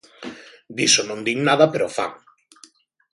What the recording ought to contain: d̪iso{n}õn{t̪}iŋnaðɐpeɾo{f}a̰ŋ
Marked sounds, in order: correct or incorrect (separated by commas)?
correct, incorrect, correct